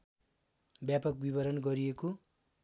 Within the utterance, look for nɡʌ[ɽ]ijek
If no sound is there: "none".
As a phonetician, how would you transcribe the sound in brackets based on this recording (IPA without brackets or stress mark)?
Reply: ɾ